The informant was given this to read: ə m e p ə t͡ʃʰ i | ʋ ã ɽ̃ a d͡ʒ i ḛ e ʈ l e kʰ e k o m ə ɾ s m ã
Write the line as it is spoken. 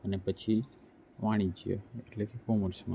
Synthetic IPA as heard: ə n e p ə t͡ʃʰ i | ʋ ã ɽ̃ i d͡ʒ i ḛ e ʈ l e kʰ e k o m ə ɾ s m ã